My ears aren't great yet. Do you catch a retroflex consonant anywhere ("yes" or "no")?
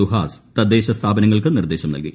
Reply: yes